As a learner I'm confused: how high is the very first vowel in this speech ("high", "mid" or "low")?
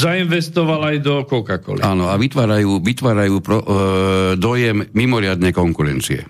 low